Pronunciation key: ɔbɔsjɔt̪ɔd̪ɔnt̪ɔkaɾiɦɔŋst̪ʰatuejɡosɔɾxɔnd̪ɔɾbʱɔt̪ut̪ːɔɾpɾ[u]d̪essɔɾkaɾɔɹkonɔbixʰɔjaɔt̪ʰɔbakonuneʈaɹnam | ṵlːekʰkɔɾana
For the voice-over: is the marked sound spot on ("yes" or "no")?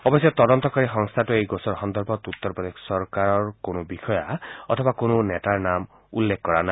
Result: no